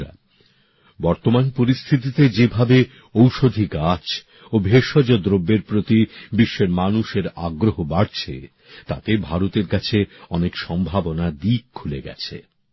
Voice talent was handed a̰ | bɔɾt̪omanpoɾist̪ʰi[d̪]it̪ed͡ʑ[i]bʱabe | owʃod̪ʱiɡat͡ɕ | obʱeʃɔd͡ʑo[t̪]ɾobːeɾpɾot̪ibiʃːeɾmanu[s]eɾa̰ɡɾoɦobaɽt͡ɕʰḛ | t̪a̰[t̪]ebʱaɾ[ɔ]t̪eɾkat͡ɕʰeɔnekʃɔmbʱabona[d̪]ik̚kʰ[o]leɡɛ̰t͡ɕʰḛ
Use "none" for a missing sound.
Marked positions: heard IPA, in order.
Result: t̪, e, d̪, ʃ, t̪, o, d̪, u

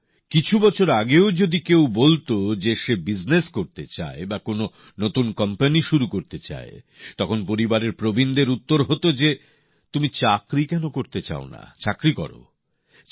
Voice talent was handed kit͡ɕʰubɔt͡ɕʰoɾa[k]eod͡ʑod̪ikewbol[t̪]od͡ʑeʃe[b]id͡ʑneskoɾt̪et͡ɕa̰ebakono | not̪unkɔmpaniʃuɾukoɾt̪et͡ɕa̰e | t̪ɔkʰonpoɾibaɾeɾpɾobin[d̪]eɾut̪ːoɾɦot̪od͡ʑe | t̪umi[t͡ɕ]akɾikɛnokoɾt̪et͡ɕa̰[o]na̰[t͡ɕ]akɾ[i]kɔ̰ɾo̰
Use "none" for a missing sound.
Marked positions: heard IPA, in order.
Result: ɡ, t̪, b, d̪, t͡ɕ, o, t͡ɕ, i

